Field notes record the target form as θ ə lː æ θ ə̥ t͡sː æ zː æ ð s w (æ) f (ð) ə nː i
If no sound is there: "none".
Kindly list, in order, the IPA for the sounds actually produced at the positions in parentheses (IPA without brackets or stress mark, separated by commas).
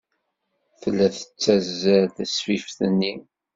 i, θ